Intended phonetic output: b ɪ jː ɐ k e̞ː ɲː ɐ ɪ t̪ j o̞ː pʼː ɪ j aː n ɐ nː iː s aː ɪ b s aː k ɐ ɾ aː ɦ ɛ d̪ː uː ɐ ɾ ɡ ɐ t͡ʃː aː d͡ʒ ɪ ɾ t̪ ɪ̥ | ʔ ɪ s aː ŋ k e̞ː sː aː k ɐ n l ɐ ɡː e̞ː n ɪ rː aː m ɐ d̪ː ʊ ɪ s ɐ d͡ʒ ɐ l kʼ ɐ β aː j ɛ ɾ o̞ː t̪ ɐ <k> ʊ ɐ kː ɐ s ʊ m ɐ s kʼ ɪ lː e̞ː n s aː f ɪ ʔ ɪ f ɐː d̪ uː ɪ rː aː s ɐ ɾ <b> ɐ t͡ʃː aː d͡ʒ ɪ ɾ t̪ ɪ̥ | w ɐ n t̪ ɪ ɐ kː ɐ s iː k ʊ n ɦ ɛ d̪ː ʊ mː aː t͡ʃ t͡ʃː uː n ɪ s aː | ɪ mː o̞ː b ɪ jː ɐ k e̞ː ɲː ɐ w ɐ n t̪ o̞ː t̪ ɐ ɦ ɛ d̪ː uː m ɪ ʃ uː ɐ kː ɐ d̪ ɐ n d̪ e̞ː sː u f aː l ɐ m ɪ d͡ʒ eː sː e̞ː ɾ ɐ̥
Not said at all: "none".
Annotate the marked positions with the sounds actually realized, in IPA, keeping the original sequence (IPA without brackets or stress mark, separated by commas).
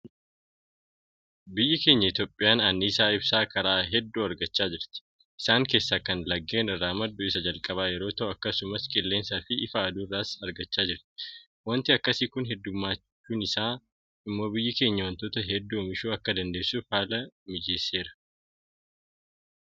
ʔ, ɡ